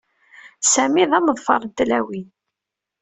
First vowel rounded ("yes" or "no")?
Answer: no